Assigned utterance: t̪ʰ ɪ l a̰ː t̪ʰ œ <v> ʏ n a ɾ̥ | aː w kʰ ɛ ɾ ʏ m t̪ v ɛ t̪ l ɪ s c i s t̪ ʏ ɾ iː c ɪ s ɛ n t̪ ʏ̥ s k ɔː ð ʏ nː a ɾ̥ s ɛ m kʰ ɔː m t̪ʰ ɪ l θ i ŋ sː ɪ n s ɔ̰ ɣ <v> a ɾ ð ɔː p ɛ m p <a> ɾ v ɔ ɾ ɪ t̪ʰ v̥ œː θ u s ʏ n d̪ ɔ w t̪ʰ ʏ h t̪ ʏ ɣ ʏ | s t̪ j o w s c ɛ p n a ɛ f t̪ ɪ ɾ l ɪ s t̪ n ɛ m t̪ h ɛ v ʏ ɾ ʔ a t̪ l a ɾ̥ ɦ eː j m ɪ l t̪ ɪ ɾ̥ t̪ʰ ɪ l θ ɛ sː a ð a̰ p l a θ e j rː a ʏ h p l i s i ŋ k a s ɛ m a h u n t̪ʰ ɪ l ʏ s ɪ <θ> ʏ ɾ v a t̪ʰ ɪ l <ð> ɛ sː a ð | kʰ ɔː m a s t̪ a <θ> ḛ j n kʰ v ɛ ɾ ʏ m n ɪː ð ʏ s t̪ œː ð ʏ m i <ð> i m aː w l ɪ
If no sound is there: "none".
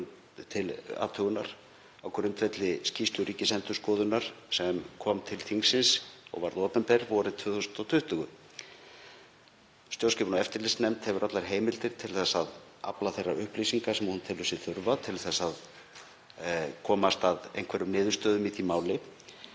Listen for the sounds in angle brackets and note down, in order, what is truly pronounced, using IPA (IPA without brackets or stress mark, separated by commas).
ɣ, v, ɛ, θ, θ, ð, θ